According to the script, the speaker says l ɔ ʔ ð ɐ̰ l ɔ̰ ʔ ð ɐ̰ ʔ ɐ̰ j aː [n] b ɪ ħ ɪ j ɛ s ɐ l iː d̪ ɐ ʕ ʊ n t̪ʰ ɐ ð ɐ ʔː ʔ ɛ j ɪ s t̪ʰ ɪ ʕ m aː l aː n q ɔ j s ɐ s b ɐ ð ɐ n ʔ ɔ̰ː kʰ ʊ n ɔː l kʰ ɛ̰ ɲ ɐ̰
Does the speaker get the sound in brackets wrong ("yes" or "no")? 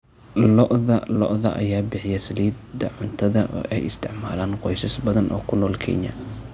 yes